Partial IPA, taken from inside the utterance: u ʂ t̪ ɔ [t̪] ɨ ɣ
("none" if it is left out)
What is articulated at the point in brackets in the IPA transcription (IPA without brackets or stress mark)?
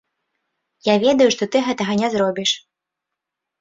t̪